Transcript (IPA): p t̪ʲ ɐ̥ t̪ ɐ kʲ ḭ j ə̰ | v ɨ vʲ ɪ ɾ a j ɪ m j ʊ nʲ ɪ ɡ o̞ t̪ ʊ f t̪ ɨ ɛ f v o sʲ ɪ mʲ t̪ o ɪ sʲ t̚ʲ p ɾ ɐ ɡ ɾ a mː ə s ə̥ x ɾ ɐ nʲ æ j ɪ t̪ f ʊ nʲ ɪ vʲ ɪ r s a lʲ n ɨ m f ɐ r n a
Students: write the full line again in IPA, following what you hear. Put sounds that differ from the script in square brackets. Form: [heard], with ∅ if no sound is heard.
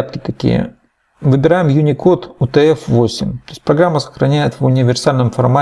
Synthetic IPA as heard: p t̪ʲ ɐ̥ t̪ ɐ kʲ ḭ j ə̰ | v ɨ [bʲ] ɪ ɾ a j ɪ m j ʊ nʲ ɪ [k] o̞ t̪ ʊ [∅] t̪ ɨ ɛ f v o sʲ ɪ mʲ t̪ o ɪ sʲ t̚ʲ p ɾ ɐ ɡ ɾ a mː ə s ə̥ x ɾ ɐ nʲ æ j ɪ t̪ [v] ʊ nʲ ɪ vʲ ɪ r s a lʲ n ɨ m f ɐ r [m] a